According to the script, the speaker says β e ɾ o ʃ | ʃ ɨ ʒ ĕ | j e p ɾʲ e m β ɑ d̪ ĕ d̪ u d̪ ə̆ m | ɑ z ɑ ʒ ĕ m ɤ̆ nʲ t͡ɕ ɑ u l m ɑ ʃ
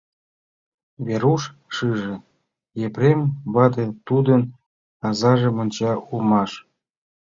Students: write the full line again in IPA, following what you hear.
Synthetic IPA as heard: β e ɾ u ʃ | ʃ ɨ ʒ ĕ | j e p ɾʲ e m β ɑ d̪ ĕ t̪ u d̪ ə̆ n | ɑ z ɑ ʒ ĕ m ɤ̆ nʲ t͡ɕ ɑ u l m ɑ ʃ